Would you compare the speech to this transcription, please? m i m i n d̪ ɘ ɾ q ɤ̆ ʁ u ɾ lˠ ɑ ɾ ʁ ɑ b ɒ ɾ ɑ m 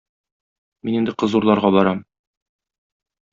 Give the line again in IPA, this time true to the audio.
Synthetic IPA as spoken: m i n i n d̪ ɘ q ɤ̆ z u ɾ lˠ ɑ ɾ ʁ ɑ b ɒ ɾ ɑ m